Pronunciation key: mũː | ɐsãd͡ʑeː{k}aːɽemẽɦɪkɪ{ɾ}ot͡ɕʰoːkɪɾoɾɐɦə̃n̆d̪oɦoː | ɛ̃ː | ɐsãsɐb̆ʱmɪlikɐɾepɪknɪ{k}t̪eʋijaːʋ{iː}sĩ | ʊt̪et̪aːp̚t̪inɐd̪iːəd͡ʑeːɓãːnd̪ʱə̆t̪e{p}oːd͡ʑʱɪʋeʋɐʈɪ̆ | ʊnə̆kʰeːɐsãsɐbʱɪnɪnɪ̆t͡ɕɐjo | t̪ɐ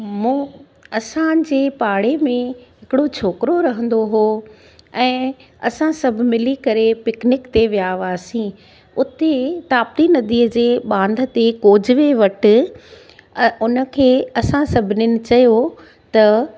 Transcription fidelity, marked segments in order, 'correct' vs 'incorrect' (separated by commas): incorrect, incorrect, correct, incorrect, incorrect